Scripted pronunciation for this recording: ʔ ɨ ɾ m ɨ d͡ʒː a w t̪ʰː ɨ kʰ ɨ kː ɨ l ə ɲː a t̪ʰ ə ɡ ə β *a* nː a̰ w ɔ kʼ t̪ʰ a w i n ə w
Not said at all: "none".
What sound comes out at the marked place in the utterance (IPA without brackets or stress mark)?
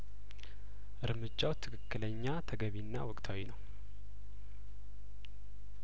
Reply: i